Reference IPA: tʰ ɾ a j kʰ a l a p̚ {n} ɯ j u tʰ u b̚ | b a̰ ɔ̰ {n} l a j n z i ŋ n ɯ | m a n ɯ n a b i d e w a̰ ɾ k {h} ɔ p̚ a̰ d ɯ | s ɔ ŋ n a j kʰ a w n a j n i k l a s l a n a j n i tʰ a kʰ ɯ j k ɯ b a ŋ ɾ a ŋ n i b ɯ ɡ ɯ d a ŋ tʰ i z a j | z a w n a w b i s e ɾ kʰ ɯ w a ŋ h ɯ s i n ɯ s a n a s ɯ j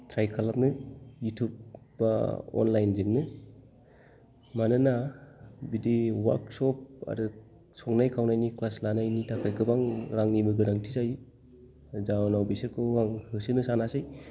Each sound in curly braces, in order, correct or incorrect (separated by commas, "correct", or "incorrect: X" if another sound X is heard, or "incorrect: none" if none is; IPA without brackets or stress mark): correct, correct, incorrect: s